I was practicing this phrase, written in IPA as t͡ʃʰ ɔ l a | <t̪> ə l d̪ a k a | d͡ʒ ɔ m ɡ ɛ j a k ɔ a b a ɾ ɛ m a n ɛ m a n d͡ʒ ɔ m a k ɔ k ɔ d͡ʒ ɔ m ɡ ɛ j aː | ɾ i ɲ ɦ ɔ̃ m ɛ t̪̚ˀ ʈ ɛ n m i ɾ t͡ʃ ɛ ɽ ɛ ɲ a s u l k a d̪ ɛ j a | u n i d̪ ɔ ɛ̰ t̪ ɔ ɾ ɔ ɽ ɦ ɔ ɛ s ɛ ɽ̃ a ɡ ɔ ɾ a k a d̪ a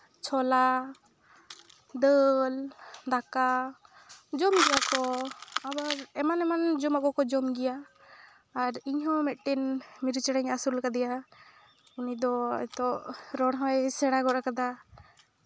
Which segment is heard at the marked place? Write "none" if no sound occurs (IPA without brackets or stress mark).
d̪